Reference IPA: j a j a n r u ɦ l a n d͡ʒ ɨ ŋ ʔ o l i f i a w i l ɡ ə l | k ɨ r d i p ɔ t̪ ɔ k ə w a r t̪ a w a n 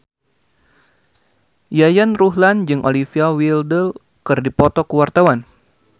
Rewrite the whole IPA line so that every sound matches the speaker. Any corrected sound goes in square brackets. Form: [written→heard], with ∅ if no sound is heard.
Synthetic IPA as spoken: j a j a n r u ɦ l a n d͡ʒ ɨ ŋ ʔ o l i f i a w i l [ɡ→d] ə l | k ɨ r d i p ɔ t̪ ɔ k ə w a r t̪ a w a n